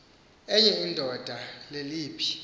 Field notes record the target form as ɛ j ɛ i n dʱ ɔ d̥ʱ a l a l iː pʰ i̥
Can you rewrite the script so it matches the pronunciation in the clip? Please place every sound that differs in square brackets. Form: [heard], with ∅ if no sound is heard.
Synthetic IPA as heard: ɛ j ɛ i n dʱ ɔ d̥ʱ a l [e] l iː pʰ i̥